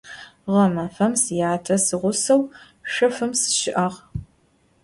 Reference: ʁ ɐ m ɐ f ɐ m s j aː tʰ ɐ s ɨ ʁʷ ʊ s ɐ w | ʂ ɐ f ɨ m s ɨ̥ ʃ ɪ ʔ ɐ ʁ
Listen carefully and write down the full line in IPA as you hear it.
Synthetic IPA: ʁ ɐ m ɐ f ɐ m s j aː tʰ ɐ s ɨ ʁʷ ʊ s ɐ w | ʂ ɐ f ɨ m s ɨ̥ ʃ ɪ ʔ ɐ ʁ